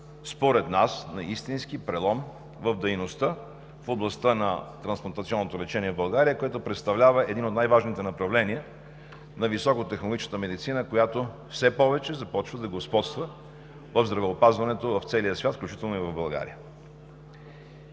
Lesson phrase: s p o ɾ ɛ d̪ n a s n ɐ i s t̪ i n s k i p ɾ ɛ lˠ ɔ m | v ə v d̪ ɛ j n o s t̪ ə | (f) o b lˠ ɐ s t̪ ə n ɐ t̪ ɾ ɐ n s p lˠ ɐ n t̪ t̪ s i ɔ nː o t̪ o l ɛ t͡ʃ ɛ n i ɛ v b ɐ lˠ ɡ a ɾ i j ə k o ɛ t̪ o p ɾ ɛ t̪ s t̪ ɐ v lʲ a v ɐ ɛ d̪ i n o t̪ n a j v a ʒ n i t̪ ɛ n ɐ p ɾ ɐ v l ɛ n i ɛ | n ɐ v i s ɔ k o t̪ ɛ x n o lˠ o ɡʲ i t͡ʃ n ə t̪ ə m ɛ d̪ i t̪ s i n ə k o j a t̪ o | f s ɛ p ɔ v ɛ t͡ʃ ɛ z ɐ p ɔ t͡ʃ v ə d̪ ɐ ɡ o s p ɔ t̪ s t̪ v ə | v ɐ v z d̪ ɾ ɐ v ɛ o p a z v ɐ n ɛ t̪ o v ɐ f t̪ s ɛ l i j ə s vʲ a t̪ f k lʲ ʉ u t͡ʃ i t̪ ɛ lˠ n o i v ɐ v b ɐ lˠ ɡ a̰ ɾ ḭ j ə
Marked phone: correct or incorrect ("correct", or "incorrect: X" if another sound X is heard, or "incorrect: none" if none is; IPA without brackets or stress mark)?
correct